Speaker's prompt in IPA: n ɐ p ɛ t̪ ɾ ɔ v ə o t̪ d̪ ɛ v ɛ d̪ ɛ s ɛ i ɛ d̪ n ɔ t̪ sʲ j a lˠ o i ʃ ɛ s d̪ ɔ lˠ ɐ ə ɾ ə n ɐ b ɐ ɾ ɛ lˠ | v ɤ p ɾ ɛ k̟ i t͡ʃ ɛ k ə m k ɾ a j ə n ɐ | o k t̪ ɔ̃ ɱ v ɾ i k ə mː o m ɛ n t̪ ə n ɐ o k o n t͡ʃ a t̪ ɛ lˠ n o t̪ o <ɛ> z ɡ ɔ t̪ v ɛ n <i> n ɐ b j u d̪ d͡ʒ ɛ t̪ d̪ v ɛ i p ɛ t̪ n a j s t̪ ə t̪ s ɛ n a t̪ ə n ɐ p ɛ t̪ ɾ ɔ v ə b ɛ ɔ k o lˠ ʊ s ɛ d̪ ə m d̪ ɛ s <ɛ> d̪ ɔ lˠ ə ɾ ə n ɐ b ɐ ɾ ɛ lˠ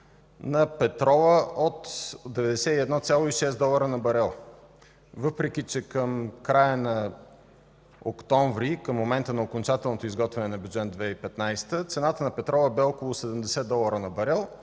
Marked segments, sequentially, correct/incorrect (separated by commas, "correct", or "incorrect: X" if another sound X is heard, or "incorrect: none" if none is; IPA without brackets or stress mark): incorrect: i, incorrect: ɛ, correct